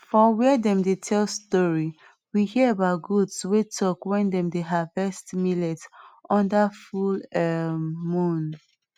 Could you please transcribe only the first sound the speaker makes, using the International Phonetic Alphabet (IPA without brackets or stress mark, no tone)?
f